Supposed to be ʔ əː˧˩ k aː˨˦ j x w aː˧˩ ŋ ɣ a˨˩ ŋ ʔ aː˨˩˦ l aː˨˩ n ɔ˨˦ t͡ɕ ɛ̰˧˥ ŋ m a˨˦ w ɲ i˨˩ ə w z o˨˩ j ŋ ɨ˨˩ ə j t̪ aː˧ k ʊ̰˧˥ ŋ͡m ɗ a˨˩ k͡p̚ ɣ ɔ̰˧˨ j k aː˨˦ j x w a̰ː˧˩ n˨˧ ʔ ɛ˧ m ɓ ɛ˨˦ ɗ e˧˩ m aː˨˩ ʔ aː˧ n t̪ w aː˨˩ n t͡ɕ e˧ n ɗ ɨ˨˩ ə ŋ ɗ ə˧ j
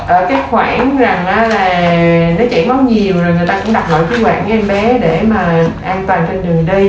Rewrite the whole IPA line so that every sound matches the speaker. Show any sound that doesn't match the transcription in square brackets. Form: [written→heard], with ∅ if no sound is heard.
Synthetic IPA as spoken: ʔ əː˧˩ k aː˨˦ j x w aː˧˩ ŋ [ɣ→z] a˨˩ ŋ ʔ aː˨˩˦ l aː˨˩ n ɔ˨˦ t͡ɕ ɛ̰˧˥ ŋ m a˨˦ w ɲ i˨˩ ə w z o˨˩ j ŋ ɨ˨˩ ə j t̪ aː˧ k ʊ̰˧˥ ŋ͡m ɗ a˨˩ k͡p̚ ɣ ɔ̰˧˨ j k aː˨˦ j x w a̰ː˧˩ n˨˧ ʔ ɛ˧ m ɓ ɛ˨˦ ɗ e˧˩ m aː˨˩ ʔ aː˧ n t̪ w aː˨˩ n t͡ɕ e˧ n ɗ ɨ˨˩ ə ŋ ɗ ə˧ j